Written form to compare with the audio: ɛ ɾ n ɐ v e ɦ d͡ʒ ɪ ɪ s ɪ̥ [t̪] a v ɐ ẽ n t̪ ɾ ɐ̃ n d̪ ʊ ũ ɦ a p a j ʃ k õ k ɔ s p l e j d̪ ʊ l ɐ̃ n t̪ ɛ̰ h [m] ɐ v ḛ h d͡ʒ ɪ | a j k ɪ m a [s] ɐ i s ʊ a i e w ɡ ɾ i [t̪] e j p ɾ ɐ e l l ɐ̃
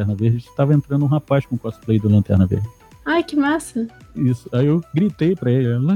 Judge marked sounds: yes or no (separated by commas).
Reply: yes, no, yes, yes